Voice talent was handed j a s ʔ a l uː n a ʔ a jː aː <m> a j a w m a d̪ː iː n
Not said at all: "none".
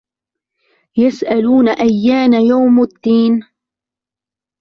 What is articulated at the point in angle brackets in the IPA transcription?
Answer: n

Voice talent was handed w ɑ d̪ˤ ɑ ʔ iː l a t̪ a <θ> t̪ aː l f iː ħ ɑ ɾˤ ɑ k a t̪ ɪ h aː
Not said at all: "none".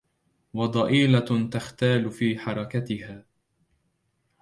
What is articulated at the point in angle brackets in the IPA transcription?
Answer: x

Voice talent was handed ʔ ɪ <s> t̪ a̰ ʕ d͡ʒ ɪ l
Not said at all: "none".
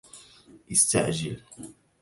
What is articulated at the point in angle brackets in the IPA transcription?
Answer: s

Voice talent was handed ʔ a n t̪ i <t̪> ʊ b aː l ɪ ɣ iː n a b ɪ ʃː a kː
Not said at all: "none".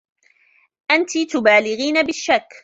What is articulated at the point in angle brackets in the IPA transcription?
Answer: t̪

